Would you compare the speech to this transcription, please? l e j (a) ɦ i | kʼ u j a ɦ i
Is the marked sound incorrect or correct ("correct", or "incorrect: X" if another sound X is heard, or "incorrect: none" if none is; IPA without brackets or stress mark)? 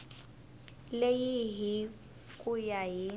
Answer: incorrect: i